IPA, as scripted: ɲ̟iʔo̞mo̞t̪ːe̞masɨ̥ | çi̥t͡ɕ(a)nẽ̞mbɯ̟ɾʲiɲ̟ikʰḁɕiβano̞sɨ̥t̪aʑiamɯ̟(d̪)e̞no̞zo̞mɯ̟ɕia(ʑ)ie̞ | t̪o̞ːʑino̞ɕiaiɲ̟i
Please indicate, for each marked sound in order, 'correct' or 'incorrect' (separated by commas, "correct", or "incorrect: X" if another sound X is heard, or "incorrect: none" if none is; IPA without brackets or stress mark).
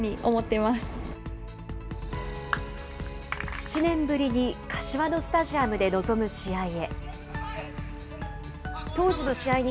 incorrect: i, correct, incorrect: none